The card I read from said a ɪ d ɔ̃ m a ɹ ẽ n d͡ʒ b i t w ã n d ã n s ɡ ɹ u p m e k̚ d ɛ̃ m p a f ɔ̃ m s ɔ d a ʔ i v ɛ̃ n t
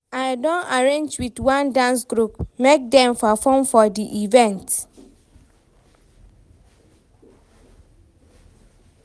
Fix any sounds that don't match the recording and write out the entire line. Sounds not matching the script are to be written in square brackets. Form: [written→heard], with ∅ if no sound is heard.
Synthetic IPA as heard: a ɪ d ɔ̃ [m→n] a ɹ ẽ n d͡ʒ [b→w] i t w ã n d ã n s ɡ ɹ u p m e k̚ d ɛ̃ m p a f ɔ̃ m [s→f] ɔ d [a→i] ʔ i v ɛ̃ n t